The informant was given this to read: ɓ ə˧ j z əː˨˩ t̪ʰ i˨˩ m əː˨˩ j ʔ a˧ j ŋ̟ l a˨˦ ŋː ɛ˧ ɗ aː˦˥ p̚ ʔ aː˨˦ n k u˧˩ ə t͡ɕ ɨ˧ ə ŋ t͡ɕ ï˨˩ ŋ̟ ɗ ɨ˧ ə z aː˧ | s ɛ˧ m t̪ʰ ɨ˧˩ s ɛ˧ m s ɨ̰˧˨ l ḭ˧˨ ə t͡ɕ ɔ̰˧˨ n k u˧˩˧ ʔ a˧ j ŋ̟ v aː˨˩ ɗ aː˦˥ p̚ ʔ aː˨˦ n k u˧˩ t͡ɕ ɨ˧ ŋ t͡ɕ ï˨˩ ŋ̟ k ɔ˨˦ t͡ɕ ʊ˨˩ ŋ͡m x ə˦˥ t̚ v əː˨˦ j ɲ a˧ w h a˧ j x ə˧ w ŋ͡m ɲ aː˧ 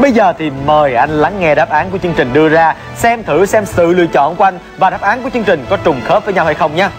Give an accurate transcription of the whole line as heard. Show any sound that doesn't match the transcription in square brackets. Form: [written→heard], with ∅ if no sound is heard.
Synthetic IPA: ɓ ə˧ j z əː˨˩ t̪ʰ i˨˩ m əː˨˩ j ʔ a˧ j ŋ̟ l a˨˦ ŋː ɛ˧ ɗ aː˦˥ p̚ ʔ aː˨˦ n k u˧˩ ə t͡ɕ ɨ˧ ə ŋ t͡ɕ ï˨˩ ŋ̟ ɗ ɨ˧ ə z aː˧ | s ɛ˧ m t̪ʰ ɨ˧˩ s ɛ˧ m s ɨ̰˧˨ l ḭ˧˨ ə t͡ɕ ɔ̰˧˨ n k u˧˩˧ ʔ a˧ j ŋ̟ v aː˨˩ ɗ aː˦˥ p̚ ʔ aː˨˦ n k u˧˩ t͡ɕ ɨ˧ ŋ t͡ɕ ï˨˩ ŋ̟ k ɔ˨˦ t͡ɕ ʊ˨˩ ŋ͡m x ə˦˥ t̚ v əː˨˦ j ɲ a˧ w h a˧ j x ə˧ w ŋ͡m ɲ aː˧